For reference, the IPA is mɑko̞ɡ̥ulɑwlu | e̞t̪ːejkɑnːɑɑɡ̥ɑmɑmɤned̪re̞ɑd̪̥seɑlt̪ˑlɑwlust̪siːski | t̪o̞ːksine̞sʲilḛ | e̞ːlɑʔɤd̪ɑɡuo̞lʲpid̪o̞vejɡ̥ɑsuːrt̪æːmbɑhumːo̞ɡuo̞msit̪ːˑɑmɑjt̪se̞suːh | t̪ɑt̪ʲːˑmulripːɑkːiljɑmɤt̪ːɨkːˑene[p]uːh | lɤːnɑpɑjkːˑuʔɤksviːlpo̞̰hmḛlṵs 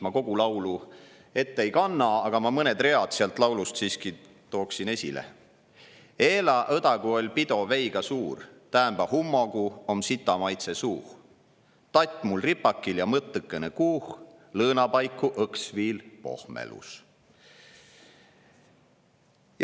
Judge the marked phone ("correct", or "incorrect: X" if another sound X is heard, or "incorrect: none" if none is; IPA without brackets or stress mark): incorrect: k